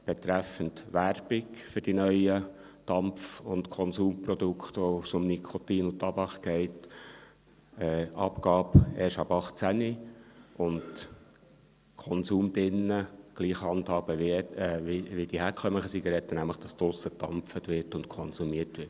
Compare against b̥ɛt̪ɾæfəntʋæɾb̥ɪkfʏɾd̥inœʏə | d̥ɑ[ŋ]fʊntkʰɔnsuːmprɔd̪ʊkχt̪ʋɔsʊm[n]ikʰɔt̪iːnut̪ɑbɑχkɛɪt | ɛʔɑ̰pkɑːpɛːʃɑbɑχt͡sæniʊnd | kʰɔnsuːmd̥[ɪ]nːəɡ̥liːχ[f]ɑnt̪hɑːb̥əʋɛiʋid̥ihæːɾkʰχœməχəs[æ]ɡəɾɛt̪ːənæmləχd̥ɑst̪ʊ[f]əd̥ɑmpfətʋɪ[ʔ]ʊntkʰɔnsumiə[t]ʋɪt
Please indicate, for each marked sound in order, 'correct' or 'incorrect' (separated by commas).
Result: incorrect, correct, correct, incorrect, incorrect, incorrect, incorrect, correct